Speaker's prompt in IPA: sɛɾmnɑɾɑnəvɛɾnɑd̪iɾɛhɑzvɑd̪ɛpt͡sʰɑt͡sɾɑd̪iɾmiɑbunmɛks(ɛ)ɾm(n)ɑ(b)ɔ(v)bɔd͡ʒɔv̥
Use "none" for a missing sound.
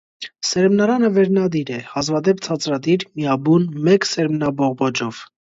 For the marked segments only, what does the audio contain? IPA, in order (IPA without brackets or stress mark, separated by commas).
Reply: ɛ, n, b, ʁ